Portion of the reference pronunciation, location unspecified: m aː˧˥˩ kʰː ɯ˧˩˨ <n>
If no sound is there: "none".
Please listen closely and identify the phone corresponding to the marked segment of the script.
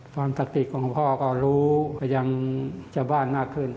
n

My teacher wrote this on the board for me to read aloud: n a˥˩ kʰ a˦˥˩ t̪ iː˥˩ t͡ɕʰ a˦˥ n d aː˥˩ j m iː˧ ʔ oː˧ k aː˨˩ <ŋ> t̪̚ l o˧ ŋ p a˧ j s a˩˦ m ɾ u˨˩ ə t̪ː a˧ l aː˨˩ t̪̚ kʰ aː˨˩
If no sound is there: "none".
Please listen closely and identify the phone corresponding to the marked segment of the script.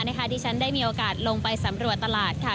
none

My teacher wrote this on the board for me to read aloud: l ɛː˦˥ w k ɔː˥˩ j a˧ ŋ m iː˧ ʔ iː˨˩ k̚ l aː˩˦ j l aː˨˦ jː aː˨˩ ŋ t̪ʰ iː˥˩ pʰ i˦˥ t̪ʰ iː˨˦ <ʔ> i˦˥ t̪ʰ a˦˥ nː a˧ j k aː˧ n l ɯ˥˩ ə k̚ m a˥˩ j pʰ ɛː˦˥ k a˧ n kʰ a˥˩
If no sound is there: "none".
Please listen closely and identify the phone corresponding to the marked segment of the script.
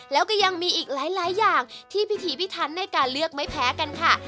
p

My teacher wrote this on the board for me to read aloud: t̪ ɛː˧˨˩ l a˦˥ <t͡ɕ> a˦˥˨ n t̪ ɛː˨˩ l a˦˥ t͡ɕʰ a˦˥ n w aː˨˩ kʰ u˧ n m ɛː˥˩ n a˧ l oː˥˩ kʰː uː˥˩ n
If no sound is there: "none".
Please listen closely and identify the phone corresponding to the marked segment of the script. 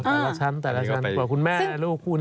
t͡ɕʰ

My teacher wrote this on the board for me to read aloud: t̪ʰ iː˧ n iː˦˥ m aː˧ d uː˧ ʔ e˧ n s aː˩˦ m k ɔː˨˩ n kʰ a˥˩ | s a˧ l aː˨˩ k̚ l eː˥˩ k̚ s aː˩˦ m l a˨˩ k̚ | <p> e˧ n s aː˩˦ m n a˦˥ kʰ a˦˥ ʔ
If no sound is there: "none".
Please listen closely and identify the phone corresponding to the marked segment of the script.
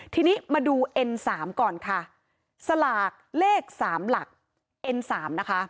ʔ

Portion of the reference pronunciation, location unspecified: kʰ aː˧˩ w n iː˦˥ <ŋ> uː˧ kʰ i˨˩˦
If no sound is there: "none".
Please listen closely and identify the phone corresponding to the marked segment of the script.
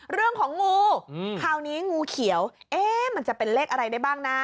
ŋ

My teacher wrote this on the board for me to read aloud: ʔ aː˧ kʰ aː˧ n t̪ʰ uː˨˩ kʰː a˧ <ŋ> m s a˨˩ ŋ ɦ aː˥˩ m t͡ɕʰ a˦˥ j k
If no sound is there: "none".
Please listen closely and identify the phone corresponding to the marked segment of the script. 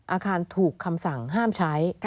none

